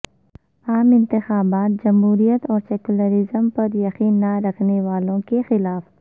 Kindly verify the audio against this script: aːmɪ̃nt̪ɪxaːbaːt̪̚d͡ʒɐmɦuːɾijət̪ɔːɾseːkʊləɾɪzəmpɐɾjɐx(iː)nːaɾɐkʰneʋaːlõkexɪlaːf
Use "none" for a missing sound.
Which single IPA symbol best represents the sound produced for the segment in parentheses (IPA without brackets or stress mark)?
iː